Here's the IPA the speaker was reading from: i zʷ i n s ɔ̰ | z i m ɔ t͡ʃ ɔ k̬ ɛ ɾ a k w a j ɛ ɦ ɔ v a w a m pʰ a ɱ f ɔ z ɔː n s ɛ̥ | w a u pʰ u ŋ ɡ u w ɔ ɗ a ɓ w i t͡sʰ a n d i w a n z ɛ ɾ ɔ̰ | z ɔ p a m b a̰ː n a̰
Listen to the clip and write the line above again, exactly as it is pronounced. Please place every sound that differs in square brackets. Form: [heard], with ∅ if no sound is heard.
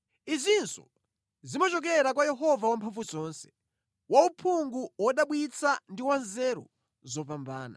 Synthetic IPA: i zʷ i n s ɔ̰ | z i m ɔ t͡ʃ ɔ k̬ ɛ ɾ a k w a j ɛ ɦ ɔ v a w a m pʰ a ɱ f [u] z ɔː n s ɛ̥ | w a u pʰ u ŋ ɡ u w ɔ ɗ a ɓ w i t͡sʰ a n d i w a n z ɛ ɾ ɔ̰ | z ɔ p a m b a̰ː n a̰

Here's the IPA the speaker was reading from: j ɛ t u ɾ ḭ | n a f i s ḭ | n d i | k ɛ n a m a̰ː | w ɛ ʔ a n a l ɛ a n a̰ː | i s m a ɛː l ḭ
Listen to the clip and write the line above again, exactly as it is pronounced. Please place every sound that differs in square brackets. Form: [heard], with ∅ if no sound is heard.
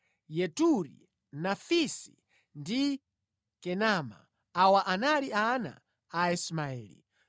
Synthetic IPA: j ɛ t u ɾ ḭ | n a f i s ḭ | n d i | k ɛ n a m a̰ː | w [a] ʔ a n a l [i] a n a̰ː | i s m a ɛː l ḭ

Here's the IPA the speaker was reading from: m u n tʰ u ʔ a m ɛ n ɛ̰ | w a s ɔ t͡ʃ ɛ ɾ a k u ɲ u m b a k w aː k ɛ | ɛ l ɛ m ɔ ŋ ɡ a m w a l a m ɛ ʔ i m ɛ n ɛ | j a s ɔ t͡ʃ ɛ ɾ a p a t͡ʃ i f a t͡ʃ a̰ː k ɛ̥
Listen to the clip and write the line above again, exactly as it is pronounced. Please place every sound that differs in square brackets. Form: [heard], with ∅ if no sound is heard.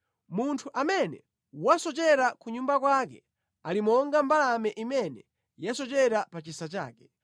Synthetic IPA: m u n tʰ u ʔ a m ɛ n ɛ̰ | w a s ɔ t͡ʃ ɛ ɾ a k u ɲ u m b a k w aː k ɛ | [a] l [i] m ɔ ŋ ɡ a m [b] a l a m ɛ ʔ i m ɛ n ɛ | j a s ɔ t͡ʃ ɛ ɾ a p a t͡ʃ i [s] a t͡ʃ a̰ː k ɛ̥

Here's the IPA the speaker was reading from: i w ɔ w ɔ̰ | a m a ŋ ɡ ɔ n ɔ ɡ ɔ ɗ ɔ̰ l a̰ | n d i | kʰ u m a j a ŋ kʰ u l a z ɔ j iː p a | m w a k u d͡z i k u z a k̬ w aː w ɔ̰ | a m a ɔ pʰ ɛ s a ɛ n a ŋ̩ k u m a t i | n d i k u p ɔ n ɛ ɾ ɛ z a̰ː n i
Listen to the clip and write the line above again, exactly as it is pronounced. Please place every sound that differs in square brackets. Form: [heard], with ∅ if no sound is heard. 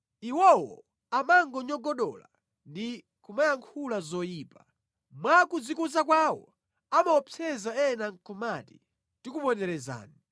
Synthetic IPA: i w ɔ w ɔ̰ | a m a ŋ ɡ ɔ [ɲ] ɔ ɡ ɔ ɗ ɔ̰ l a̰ | n d i | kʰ u m a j a ŋ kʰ u l a z ɔ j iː p a | m w a k u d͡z i k u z a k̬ w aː w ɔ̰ | a m a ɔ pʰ ɛ [z] a ɛ n a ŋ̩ k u m a t i | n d i k u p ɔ n ɛ ɾ ɛ z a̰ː n i

